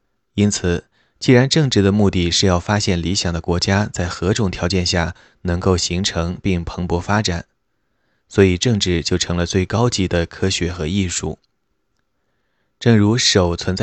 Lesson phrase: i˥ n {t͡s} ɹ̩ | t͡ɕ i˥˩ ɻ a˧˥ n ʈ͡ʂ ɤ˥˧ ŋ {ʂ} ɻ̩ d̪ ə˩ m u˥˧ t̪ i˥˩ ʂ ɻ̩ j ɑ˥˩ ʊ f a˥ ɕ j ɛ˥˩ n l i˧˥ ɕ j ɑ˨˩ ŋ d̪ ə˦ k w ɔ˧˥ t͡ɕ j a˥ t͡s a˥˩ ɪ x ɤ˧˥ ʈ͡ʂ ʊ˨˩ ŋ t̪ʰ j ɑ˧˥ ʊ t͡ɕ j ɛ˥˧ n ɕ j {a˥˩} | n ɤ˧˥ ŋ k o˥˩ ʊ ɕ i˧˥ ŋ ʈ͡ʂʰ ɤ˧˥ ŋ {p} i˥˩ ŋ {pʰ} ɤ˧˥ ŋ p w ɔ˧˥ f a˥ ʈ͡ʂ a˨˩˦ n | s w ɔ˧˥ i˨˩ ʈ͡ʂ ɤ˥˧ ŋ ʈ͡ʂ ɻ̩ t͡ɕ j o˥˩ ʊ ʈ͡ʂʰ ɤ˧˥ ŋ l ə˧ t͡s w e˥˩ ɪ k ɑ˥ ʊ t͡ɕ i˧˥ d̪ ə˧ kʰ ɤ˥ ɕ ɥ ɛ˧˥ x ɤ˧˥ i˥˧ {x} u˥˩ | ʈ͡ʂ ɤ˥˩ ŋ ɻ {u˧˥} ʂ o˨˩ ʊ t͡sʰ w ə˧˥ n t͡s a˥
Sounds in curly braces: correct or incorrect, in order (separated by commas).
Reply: incorrect, incorrect, correct, correct, correct, incorrect, correct